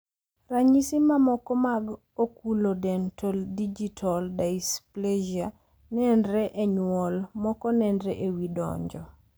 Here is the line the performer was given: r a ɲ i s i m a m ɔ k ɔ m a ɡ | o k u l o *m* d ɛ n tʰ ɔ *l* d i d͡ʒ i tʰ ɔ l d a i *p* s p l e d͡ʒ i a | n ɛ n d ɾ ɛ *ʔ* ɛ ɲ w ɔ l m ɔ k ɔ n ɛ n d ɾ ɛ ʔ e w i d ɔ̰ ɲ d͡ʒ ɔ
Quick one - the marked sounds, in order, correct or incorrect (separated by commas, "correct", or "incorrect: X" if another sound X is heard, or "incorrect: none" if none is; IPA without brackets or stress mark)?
incorrect: none, correct, incorrect: none, correct